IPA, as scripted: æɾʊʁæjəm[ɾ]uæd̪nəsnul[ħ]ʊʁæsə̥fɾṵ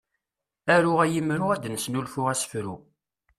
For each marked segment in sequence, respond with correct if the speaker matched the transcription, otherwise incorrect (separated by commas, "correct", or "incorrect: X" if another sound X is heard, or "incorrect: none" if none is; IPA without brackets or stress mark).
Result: correct, incorrect: f